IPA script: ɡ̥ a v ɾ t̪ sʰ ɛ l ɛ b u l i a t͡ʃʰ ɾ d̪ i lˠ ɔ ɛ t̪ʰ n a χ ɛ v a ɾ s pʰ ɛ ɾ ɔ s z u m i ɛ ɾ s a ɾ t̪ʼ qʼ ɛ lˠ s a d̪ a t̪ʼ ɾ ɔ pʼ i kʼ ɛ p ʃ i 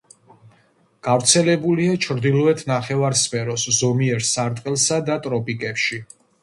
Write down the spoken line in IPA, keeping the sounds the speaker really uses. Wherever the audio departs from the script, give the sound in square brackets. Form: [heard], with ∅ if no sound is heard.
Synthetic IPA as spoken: ɡ̥ a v ɾ t̪ sʰ ɛ l ɛ b u l i a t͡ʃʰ ɾ d̪ i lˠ ɔ ɛ t̪ʰ n a χ ɛ v a ɾ s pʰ ɛ ɾ ɔ s z [ɔ] m i ɛ ɾ s a ɾ t̪ʼ qʼ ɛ lˠ s a d̪ a t̪ʼ ɾ ɔ pʼ i kʼ ɛ p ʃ i